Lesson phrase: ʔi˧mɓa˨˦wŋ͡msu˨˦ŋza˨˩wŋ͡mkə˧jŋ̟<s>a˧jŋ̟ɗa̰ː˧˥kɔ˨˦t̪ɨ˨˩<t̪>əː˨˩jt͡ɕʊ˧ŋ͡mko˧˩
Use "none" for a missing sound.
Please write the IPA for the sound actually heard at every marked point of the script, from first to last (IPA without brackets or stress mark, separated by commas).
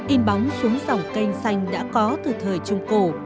s, t̪ʰ